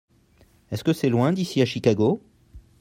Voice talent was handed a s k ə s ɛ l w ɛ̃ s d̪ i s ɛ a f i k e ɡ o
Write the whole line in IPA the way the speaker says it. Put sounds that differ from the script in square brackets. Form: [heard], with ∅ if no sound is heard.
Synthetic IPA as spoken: [ɛ] s k ə s ɛ l w ɛ̃ [∅] d̪ i s [i] a [ʃ] i k [a] ɡ o